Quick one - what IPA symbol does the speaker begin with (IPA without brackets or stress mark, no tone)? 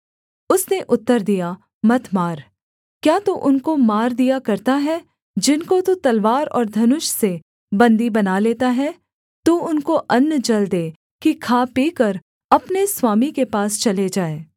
ʊ